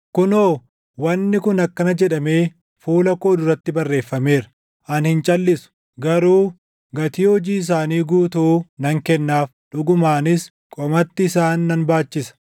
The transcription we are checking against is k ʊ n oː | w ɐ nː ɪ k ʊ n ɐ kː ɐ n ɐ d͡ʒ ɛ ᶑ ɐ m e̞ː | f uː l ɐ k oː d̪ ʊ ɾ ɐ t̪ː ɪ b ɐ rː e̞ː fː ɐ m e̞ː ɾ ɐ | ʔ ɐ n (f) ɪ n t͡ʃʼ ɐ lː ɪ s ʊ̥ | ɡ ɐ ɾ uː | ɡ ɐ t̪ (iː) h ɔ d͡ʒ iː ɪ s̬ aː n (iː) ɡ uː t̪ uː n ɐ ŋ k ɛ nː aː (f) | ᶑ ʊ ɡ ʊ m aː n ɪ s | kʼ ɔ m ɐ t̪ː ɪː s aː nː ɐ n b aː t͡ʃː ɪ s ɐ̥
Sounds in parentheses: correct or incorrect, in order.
incorrect, correct, correct, correct

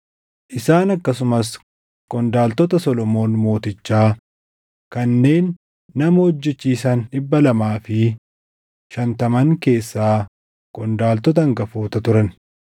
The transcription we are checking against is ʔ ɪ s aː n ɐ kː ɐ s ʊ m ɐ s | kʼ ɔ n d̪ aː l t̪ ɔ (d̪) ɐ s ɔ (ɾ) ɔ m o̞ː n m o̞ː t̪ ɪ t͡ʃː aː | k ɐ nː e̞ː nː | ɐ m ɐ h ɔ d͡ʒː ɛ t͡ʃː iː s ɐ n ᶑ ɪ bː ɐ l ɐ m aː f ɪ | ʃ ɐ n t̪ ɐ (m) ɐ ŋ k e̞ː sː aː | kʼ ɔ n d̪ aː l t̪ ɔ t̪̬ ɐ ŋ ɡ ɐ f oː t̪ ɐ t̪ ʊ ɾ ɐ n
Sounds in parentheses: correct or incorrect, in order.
incorrect, incorrect, correct

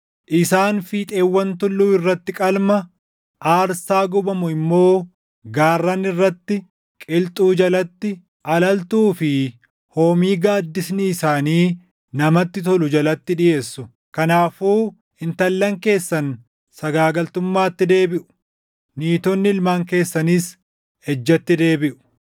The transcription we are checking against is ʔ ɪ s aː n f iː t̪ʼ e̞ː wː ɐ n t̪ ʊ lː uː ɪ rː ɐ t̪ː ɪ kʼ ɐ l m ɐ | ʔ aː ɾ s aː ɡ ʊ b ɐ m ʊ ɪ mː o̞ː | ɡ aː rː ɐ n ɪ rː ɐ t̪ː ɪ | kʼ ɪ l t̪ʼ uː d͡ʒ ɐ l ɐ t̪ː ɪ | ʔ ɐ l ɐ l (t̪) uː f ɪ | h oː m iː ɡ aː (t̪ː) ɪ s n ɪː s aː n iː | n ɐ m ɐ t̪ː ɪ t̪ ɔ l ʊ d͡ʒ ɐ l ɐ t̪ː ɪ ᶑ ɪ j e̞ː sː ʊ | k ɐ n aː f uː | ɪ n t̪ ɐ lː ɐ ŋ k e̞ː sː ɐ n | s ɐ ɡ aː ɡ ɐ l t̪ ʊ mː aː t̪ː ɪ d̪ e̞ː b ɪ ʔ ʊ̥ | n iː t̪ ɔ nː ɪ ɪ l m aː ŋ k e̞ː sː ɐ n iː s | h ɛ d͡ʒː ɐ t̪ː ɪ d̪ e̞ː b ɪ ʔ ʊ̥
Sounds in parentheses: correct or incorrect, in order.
correct, incorrect

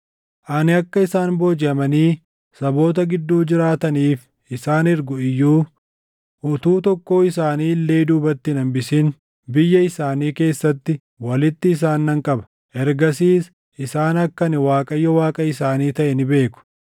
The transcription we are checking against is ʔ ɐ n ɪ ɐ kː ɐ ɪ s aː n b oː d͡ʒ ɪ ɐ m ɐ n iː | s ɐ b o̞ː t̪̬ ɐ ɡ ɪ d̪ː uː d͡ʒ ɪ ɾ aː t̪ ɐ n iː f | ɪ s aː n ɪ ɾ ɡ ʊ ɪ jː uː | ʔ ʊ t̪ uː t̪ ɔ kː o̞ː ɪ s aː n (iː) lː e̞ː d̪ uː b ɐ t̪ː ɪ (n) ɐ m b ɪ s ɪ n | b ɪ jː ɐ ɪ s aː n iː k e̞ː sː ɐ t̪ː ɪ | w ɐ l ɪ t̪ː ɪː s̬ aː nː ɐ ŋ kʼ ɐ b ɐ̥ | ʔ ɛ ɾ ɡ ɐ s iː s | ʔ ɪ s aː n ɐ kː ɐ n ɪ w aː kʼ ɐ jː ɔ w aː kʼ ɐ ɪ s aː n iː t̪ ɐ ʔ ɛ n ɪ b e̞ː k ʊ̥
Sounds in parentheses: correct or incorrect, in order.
correct, correct

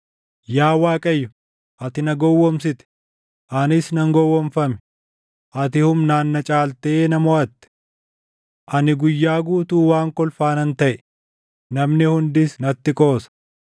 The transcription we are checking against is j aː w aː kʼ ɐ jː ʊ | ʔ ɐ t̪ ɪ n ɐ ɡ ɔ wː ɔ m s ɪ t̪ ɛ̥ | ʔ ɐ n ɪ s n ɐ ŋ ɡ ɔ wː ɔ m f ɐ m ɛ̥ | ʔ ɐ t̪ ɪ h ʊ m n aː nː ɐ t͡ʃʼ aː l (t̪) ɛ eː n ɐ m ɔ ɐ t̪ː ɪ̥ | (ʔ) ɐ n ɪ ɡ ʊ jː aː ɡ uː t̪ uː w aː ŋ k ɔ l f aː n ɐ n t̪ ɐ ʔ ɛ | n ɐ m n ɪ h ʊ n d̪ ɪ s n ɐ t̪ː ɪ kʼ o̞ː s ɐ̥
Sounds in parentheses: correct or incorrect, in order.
correct, correct

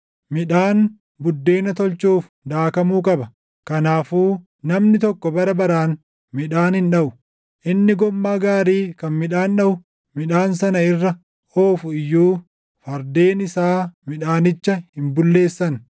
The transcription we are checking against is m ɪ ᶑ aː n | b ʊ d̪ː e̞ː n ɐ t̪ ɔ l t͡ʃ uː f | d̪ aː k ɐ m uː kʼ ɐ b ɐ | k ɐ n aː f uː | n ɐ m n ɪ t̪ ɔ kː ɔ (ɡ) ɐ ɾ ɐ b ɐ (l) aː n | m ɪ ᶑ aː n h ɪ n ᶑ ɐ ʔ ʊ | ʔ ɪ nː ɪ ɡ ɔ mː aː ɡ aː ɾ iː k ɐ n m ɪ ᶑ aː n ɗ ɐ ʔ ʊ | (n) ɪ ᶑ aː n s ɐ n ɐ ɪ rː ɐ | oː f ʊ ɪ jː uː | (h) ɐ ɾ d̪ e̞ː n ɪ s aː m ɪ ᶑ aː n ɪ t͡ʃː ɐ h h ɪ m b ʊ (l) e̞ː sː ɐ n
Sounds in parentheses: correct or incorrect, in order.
incorrect, incorrect, incorrect, incorrect, incorrect

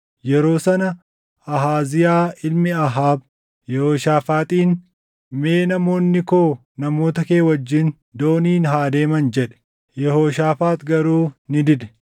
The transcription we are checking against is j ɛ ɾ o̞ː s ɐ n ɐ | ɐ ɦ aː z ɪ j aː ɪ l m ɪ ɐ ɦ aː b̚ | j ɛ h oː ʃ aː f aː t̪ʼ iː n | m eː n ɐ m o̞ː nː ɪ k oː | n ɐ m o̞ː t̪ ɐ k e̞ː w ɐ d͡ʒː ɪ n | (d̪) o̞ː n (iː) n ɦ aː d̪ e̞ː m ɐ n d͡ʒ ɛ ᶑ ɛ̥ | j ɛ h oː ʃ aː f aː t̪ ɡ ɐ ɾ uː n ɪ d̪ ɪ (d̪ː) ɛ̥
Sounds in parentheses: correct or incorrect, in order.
correct, correct, incorrect

